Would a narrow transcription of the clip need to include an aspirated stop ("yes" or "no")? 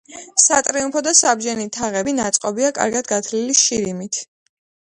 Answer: yes